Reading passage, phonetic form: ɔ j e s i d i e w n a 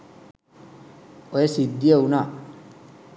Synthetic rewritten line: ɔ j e s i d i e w n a